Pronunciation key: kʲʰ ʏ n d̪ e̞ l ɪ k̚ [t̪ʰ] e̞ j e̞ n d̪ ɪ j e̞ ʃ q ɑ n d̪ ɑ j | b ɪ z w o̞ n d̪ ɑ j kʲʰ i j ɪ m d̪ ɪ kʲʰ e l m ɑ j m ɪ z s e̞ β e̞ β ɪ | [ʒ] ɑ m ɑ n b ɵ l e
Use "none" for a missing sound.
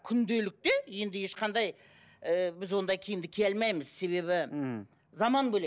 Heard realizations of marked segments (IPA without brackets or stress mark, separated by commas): t̪, z